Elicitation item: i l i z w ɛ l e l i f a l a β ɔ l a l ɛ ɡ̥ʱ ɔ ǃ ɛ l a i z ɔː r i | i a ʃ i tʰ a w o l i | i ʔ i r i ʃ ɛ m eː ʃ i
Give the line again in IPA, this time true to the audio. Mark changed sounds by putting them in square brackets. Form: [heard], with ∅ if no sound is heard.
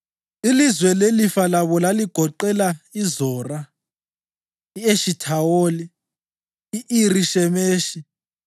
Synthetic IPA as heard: i l i z w ɛ l e l i f a l a β ɔ l a l [i] ɡ̥ʱ ɔ ǃ ɛ l a i z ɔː r [a] | i [e] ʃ i tʰ a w o l i | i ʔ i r i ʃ ɛ m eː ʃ i